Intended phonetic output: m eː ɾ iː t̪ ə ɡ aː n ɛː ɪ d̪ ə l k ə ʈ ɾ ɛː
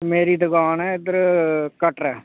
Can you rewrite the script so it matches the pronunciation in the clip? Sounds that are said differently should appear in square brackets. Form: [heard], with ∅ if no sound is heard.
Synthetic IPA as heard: m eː ɾ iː [d̪] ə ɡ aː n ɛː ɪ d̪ ə [ɾ] k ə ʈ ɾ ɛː